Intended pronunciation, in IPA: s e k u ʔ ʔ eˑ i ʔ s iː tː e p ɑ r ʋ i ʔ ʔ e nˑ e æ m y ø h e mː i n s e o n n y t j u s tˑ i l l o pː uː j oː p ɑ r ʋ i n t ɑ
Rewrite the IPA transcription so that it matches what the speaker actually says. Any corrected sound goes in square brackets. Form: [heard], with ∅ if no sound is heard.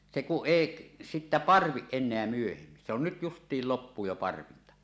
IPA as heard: s e k u ʔ ʔ eˑ i ʔ s [i] tː [æ] p ɑ r ʋ i ʔ ʔ e nˑ e æ m y ø h e mː i n s e o n n y t j u s tˑ [iː] l l o pː uː j [o] p ɑ r ʋ i n t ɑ